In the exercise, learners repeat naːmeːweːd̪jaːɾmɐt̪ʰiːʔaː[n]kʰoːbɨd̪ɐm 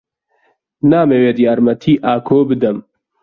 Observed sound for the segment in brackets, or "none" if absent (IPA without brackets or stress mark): none